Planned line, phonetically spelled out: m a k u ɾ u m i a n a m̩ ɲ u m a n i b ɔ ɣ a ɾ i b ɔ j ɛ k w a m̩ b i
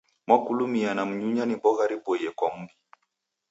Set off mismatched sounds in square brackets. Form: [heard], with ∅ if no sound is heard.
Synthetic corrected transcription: m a k u [l] u m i a n a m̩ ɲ u [ɲ] a n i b ɔ ɣ a ɾ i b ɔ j ɛ k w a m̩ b i